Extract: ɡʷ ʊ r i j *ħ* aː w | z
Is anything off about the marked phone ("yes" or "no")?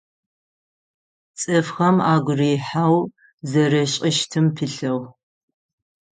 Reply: no